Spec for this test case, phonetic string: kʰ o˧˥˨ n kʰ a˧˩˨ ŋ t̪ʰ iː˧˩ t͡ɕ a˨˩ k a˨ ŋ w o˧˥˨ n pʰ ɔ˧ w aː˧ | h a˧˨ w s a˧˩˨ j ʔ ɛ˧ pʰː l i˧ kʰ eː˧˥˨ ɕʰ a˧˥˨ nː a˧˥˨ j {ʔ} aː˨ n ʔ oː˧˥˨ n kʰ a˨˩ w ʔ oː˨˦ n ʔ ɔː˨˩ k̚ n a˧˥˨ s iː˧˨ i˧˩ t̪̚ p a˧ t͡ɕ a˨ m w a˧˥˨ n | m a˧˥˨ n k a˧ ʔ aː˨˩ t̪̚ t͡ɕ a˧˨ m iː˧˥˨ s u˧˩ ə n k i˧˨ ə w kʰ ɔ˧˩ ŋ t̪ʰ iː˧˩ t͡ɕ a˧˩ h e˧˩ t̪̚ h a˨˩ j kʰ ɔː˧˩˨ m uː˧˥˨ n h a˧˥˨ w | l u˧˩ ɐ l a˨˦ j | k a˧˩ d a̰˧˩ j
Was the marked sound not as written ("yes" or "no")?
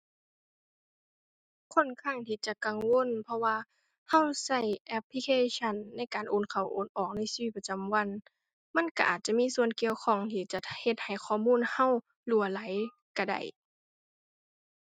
yes